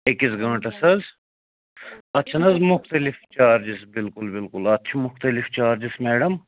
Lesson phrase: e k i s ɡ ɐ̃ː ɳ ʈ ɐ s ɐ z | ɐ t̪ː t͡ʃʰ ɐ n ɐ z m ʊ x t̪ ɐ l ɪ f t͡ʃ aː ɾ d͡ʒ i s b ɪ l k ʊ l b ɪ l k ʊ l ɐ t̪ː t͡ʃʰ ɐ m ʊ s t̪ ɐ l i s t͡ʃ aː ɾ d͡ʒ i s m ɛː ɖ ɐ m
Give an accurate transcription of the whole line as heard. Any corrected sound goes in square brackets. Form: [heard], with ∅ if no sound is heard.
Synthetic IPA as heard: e k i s ɡ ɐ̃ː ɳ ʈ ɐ s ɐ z | ɐ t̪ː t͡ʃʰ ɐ n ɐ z m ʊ x t̪ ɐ l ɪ f t͡ʃ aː ɾ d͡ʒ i s b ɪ l k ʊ l b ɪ l k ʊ l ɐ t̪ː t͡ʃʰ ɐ m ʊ [x] t̪ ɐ l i [f] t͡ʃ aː ɾ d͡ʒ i s m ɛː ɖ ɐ m